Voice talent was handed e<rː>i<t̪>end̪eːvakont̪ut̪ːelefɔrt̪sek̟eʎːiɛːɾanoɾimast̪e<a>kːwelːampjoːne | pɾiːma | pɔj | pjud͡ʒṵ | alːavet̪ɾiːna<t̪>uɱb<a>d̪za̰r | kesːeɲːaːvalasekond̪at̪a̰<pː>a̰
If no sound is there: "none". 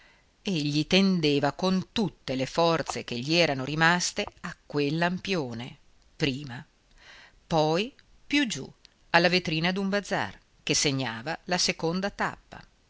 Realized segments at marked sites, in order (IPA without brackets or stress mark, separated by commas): ʎː, t̪, a, d̪, a, pː